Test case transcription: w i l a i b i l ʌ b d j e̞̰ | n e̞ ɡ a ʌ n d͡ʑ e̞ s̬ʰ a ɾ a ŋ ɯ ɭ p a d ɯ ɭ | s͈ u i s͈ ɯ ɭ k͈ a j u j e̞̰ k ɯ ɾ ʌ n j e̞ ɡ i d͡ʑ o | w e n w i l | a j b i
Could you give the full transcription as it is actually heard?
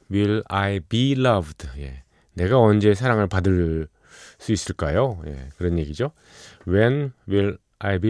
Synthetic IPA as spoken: w i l a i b i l ʌ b d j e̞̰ | n e̞ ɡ a ʌ n d͡ʑ e̞ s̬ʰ a ɾ a ŋ ɯ ɭ p a d ɯ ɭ | s͈ u i s͈ ɯ ɭ k͈ a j o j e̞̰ k ɯ ɾ ʌ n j e̞ ɡ i d͡ʑ o | w e n w i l | a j b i